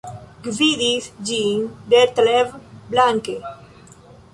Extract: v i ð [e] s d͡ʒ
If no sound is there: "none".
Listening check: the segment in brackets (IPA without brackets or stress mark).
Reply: i